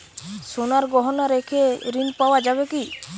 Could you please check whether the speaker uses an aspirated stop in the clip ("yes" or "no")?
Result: yes